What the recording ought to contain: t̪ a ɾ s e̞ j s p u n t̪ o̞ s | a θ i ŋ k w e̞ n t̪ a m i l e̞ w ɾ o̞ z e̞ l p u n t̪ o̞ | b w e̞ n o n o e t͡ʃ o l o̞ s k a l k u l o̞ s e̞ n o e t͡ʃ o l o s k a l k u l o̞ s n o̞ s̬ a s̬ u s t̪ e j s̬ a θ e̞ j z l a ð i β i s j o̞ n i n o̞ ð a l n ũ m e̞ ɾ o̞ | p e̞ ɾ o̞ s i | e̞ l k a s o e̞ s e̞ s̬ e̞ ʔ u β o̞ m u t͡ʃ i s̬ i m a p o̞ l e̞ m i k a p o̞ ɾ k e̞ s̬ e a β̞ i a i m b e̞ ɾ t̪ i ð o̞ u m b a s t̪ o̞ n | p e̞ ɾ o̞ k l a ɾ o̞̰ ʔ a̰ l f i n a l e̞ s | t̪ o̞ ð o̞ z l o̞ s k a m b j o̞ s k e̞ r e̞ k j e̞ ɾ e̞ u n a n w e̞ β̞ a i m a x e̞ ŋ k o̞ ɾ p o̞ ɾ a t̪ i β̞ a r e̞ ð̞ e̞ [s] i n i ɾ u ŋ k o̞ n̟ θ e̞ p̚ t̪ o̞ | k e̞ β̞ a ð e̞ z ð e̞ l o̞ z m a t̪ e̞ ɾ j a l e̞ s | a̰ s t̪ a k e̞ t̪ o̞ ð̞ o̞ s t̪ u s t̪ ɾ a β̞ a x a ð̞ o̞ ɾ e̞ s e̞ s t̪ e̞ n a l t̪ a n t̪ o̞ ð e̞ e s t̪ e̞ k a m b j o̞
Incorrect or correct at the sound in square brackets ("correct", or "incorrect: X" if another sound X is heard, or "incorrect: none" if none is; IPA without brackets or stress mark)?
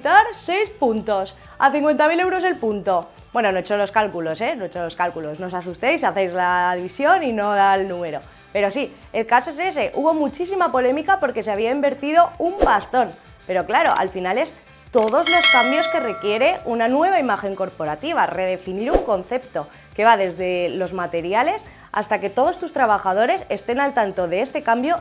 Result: incorrect: f